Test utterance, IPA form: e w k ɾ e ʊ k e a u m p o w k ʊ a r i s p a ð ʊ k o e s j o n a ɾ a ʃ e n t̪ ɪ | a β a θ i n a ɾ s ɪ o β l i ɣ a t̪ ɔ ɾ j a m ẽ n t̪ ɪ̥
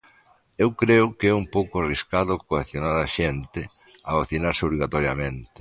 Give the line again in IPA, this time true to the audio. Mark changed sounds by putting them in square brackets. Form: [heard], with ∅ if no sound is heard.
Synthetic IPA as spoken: e w k ɾ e ʊ k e [ɛ] u m p o w k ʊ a r i s [k] a ð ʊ k o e [θ] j o n a ɾ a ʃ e n t̪ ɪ | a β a θ i n a ɾ s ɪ o β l i ɣ a t̪ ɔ ɾ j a m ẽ n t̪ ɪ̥